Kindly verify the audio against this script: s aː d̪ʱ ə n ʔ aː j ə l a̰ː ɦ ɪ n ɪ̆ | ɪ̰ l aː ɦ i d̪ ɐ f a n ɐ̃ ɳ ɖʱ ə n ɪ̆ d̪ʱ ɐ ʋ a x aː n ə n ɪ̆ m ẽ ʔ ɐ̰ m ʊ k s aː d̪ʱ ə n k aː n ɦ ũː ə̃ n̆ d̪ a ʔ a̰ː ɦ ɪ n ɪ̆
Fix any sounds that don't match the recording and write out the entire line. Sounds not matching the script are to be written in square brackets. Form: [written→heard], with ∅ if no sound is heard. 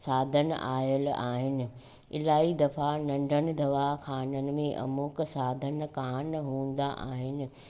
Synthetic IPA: s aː d̪ʱ ə n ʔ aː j ə l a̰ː ɦ ɪ n ɪ̆ | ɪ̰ l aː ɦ i d̪ ɐ f a n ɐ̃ ɳ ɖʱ ə n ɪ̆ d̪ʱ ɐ ʋ a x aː n ə n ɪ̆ m ẽ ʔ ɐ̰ m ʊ k s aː d̪ʱ ə n k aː n ɦ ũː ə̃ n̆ d̪ a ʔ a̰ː ɦ ɪ n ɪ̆